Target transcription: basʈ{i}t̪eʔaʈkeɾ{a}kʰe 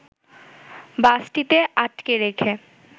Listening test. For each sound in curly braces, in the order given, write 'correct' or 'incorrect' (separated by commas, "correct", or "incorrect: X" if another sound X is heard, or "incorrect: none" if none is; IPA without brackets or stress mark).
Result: correct, incorrect: e